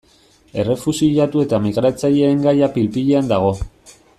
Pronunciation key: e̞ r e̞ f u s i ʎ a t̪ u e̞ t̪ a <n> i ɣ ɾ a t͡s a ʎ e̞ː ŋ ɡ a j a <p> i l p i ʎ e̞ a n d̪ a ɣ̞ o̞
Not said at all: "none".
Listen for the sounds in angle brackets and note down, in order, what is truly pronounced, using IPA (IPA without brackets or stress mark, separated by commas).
m, p